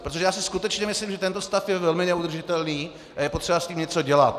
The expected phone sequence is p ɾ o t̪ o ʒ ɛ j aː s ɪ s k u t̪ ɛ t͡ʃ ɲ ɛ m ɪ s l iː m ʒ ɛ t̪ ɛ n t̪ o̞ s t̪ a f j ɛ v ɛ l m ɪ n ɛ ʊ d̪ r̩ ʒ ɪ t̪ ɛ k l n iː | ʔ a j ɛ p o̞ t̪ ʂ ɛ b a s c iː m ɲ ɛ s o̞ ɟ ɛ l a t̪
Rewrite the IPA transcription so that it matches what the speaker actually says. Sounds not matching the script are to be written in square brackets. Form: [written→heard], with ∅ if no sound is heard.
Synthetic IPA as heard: p ɾ o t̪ o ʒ ɛ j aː s ɪ s k u t̪ ɛ t͡ʃ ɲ ɛ m ɪ s l iː m ʒ ɛ t̪ ɛ n t̪ o̞ s t̪ a f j ɛ v ɛ l m ɪ n ɛ [ʊ→u] d̪ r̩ ʒ ɪ t̪ ɛ [k→∅] l n iː | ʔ a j ɛ p o̞ t̪ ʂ ɛ b a s c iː m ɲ ɛ [s→t͡s] o̞ ɟ ɛ l a t̪